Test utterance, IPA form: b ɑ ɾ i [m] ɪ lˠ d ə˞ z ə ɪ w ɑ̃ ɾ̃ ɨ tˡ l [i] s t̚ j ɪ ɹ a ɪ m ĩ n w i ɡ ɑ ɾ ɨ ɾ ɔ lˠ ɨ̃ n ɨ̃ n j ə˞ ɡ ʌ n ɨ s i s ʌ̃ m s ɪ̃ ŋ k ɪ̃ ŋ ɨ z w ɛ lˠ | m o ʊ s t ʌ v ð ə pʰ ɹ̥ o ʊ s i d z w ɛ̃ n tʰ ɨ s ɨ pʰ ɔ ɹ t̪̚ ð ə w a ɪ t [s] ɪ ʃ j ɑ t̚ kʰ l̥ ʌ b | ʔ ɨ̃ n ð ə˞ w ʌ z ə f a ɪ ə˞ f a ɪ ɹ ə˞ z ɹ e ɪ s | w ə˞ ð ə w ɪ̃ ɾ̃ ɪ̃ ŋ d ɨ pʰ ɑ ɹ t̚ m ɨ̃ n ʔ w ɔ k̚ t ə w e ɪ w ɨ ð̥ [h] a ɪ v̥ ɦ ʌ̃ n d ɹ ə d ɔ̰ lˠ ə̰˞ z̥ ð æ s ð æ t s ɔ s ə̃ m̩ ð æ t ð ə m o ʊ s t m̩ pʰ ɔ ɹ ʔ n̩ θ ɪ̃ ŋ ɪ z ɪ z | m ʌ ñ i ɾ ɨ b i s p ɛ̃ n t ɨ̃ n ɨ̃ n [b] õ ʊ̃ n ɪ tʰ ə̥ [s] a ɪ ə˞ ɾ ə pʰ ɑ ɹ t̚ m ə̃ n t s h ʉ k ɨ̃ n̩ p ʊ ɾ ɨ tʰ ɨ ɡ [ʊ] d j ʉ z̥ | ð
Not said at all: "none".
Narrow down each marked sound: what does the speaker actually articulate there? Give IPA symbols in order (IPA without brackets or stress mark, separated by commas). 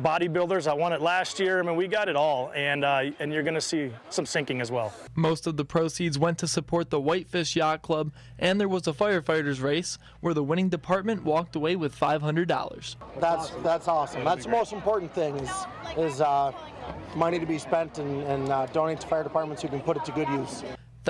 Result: b, æ, f, f, d, f, ʊ